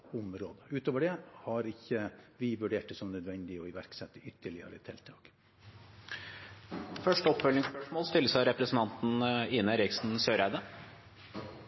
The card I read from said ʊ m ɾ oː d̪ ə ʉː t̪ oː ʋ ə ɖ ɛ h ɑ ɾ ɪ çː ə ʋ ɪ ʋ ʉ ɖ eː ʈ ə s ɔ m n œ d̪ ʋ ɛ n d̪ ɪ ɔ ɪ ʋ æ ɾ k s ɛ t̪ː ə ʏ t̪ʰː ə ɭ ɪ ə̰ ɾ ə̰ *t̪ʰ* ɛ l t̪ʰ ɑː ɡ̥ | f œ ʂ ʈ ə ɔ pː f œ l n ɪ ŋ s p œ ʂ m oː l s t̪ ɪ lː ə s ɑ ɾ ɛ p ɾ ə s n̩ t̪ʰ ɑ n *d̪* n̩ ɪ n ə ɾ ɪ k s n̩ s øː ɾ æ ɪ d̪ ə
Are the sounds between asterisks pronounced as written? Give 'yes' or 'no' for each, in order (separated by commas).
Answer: yes, no